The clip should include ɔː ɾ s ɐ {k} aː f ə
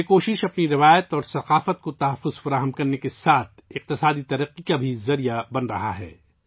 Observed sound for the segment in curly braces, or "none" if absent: q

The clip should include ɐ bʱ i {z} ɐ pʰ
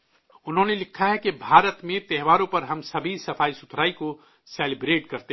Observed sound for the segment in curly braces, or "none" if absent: s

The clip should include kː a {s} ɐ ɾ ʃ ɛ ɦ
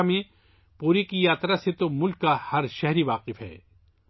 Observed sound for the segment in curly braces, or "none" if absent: h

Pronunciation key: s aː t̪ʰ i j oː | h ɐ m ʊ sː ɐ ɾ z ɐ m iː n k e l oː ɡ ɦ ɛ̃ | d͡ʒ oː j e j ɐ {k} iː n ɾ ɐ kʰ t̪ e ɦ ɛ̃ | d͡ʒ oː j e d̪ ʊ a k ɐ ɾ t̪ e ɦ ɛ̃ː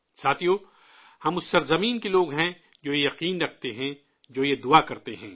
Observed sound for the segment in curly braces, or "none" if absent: q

